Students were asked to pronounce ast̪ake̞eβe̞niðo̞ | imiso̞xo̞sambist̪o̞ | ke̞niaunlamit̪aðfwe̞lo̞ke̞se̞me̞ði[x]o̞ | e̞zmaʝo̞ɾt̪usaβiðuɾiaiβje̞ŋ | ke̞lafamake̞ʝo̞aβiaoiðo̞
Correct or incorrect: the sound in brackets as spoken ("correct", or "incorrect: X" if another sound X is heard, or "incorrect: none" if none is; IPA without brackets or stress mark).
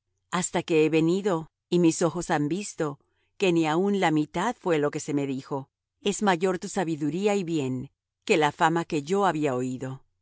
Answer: correct